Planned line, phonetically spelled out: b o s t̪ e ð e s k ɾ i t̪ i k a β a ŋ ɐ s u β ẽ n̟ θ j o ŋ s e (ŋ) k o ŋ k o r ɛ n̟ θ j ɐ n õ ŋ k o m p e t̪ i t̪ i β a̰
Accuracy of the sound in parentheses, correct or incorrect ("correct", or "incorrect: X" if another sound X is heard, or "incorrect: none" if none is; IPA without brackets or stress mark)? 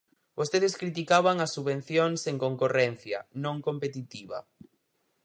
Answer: correct